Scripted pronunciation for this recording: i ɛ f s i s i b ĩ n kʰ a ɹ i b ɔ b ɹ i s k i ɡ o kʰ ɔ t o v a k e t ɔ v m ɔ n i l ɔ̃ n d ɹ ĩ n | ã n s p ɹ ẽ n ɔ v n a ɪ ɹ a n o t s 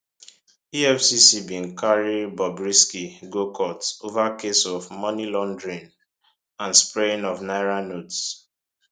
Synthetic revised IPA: i ɛ f s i s i b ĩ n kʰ a ɹ i b ɔ b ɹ i s k i ɡ o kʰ ɔ t o v a k e s ɔ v m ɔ n i l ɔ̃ n d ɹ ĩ n | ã n s p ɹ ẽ n ɔ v n a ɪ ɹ a n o t s